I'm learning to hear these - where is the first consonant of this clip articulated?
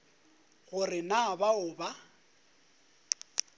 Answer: velum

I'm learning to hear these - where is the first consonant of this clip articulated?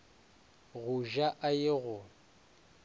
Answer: velum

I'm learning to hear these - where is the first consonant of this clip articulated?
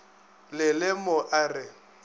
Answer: tongue tip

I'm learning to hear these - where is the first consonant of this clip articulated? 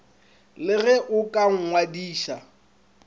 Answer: tongue tip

